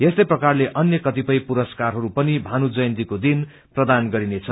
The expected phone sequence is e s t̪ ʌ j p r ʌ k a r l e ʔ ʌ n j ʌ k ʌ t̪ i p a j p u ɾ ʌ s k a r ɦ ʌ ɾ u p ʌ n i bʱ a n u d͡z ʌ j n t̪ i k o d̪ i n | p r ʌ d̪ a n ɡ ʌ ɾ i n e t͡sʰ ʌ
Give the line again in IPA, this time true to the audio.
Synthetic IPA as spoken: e s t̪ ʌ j p r ʌ k a r l e ʔ ʌ n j ʌ k ʌ t̪ i p ʌ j p u ɾ ʌ s k a r ɦ ʌ ɾ u p ʌ n i bʱ a n u d͡z ʌ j n t̪ i k o d̪ i n | p r ʌ d̪ a n ɡ ʌ ɾ i n e t͡sʰ ʌ